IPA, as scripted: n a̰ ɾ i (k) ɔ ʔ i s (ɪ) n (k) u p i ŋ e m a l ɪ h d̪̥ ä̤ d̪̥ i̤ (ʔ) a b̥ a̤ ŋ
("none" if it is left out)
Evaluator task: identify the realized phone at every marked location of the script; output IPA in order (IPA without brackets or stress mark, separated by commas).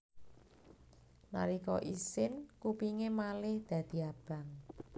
k, ɪ, k, none